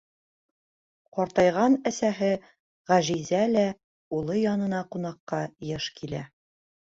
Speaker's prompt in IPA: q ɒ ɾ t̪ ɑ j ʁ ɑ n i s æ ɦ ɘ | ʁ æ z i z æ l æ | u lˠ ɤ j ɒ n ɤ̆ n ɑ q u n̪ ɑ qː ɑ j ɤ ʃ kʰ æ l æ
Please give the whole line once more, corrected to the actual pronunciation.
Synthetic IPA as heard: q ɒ ɾ t̪ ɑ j ʁ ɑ n æ s æ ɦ ɘ | ʁ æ ʒ i z æ l æ | u lˠ ɤ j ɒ n ɤ̆ n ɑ q u n̪ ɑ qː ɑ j ɤ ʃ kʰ i l æ